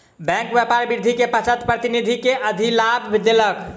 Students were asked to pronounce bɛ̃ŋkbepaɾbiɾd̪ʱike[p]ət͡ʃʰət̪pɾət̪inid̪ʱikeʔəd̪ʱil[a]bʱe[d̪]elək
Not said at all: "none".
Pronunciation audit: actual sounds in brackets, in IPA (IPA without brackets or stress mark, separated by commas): p, a, d̪